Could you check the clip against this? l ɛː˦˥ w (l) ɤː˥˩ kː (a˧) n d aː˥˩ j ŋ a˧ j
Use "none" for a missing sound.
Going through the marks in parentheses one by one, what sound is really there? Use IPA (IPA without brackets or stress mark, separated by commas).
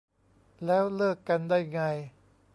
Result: l, a˧